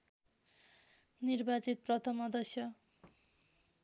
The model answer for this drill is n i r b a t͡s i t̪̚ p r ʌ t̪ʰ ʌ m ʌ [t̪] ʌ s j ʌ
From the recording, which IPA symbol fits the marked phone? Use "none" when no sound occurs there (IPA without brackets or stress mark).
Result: d̪